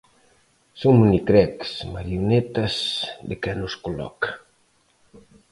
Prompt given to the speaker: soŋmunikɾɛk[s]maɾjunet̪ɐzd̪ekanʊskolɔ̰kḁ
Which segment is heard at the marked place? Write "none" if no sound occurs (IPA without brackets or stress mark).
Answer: s